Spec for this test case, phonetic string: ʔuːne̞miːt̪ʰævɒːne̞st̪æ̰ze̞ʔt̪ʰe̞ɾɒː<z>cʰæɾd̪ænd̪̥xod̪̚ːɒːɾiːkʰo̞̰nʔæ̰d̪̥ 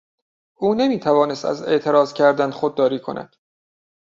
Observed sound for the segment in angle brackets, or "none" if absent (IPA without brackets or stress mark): z